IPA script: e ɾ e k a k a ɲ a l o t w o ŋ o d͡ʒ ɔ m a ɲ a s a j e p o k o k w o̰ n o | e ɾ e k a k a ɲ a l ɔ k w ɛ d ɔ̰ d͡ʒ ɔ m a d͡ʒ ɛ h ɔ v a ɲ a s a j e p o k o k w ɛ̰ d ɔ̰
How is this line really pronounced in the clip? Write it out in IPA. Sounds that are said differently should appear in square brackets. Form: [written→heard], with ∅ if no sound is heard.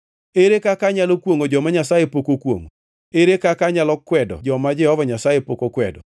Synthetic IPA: e ɾ e k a k a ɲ a l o [t→k] w o ŋ o d͡ʒ ɔ m a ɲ a s a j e p o k o k w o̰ [n→ŋ] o | e ɾ e k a k a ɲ a l ɔ k w ɛ d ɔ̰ d͡ʒ ɔ m a d͡ʒ ɛ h ɔ v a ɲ a s a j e p o k o k w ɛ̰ d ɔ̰

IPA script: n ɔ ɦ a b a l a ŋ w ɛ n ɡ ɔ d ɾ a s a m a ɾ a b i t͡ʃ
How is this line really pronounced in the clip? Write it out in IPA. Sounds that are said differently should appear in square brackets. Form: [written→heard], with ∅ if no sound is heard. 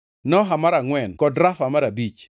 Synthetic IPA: n ɔ ɦ a [b→m] a [l→ɾ] a ŋ w ɛ n [ɡ→k] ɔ d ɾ a [s→f] a m a ɾ a b i t͡ʃ

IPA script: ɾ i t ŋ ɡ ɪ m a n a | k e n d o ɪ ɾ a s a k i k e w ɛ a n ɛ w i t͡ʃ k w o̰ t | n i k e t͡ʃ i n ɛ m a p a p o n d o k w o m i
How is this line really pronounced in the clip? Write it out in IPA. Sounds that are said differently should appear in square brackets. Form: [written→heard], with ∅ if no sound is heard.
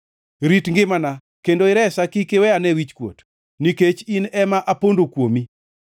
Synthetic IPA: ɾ i t ŋ ɡ ɪ m a n a | k e n d o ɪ ɾ [a→ɛ] s a k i k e w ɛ a n ɛ w i t͡ʃ k w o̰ t | n i k e t͡ʃ i n ɛ m a [p→ʔ] a p o n d o k w o m i

